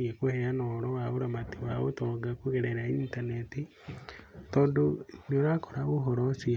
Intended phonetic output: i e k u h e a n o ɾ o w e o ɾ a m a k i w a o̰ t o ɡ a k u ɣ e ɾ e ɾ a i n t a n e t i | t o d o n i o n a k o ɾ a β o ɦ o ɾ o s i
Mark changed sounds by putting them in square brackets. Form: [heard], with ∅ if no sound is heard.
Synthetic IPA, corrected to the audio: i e k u h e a n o ɾ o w [a] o ɾ a m a [t] i w a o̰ t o ɡ a k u ɣ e ɾ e ɾ a i n t a n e t i | t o d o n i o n a k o ɾ a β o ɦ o ɾ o s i